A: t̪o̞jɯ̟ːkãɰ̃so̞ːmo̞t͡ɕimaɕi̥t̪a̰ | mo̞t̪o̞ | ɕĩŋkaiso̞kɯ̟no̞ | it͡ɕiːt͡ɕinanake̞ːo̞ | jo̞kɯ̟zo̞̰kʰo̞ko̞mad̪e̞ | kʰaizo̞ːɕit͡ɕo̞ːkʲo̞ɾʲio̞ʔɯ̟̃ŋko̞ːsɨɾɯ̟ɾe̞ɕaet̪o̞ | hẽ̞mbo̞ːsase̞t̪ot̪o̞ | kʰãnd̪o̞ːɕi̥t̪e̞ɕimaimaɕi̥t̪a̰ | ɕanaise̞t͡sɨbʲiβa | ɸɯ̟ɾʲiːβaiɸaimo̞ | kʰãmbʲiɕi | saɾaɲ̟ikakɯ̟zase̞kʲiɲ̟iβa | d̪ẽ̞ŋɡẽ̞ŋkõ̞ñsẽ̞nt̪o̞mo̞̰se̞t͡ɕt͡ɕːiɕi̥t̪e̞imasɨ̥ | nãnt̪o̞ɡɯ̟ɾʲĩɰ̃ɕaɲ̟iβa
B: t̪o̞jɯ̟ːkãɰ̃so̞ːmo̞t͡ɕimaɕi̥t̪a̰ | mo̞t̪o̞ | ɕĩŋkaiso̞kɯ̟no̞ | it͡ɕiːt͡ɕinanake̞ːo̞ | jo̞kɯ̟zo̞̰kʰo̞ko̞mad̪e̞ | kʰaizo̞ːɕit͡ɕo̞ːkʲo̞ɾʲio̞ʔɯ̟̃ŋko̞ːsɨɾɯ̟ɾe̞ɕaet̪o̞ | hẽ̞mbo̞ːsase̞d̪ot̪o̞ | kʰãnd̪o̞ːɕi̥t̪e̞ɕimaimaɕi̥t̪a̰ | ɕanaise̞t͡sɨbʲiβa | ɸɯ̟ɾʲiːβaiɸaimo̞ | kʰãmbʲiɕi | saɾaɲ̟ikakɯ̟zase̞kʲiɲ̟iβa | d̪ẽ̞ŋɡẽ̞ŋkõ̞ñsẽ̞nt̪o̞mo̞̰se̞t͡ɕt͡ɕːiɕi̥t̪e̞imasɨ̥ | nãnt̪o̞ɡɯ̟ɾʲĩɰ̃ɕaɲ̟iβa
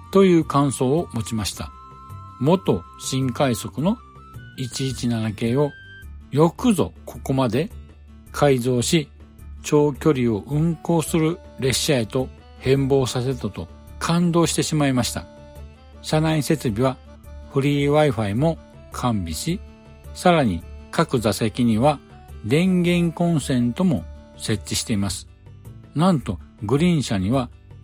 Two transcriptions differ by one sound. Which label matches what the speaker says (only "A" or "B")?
A